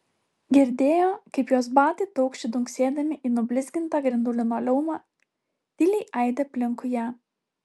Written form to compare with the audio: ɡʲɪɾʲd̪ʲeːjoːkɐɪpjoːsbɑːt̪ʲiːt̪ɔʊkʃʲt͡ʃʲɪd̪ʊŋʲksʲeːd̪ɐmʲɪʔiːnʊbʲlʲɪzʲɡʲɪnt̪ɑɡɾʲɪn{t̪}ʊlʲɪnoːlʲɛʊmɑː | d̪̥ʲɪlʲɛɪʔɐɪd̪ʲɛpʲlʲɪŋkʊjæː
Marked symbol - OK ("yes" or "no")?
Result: no